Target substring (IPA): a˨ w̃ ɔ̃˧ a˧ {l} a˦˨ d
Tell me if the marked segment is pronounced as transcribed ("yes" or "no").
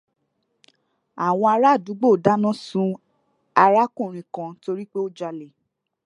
no